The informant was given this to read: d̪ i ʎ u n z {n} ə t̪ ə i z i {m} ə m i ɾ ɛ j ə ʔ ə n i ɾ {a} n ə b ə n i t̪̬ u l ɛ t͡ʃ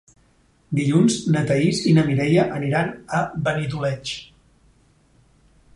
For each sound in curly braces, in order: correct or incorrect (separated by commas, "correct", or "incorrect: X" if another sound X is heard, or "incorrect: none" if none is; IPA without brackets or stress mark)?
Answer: correct, incorrect: n, correct